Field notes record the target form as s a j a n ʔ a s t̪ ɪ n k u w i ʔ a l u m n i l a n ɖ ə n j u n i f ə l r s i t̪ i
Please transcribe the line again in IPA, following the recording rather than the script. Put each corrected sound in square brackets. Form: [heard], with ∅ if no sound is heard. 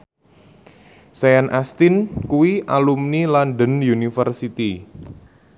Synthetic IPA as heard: s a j a n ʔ a s t̪ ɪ n k u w i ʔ a l u m n i l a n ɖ ə n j u n i f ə [∅] r s i t̪ i